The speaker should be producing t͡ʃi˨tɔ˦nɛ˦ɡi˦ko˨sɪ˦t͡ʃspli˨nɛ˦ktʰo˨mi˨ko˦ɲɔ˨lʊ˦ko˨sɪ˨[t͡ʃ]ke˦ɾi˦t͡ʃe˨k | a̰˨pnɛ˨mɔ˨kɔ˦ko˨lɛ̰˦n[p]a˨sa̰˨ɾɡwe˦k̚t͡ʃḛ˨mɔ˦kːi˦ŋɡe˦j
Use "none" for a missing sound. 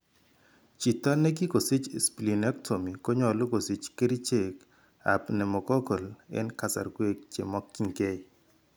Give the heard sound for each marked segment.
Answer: t͡ʃ, k

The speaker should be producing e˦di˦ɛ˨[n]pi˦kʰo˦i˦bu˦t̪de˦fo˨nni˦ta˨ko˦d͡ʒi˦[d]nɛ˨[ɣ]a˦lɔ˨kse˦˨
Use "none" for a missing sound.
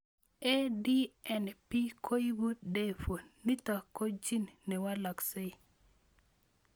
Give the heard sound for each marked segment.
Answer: n, n, w

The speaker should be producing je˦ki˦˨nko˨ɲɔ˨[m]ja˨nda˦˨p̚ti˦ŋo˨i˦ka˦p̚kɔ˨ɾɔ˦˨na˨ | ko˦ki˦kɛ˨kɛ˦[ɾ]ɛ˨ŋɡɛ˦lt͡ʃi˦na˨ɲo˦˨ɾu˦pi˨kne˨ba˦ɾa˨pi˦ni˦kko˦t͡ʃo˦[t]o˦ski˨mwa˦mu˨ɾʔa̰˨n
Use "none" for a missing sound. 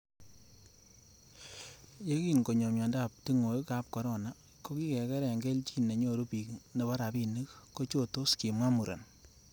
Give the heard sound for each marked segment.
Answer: m, ɾ, t

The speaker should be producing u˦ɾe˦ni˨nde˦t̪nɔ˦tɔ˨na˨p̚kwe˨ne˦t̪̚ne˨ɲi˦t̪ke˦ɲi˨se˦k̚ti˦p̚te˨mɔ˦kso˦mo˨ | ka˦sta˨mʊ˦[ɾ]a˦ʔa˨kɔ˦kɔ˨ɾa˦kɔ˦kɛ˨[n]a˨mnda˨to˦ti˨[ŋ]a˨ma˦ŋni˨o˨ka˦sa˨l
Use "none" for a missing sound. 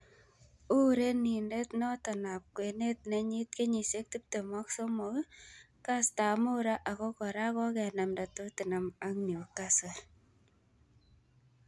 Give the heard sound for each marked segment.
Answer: ɾ, n, n

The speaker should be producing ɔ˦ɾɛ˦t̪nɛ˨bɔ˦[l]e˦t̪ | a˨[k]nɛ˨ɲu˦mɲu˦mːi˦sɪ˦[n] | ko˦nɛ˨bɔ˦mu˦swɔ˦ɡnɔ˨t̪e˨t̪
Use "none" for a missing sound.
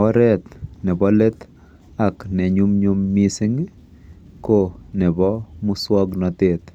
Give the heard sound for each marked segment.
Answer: l, k, ŋ

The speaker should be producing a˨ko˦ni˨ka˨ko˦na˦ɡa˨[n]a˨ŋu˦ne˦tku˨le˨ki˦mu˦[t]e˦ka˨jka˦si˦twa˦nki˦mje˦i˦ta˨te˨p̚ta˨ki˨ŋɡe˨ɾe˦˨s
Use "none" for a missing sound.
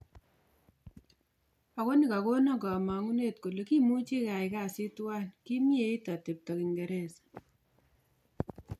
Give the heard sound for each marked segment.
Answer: m, t͡ʃ

